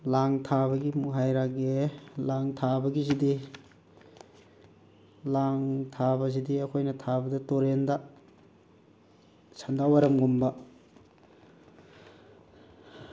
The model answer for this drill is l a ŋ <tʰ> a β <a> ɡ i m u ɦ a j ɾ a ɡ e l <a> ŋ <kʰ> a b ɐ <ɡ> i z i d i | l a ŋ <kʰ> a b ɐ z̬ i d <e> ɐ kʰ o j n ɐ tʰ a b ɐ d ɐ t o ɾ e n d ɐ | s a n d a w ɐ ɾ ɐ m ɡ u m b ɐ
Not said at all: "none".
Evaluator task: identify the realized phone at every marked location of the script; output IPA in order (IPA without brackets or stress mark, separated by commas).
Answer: tʰ, ɐ, a, tʰ, ɡ, tʰ, i